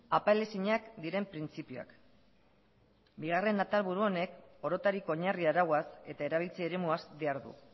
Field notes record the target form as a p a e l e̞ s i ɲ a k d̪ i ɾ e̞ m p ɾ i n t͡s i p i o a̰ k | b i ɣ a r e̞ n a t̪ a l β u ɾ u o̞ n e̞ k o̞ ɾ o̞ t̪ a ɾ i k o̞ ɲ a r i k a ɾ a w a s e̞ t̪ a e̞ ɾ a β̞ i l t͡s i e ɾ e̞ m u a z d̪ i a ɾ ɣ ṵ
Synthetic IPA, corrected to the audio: a p a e l e̞ s i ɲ a k d̪ i ɾ e̞ m p ɾ i n t͡s i p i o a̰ k | b i ɣ a r e̞ n a t̪ a l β u ɾ u o̞ n e̞ k o̞ ɾ o̞ t̪ a ɾ i k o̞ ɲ a r i a ɾ a w a s e̞ t̪ a e̞ ɾ a β̞ i l t͡s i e ɾ e̞ m u a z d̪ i a ɾ ð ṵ